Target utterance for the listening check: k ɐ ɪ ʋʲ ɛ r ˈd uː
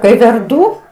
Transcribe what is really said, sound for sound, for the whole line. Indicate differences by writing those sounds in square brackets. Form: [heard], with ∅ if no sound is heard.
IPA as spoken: k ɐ ɪ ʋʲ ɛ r ˈd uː